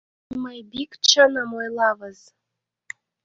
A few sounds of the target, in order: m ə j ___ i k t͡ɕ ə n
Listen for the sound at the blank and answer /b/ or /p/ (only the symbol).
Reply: b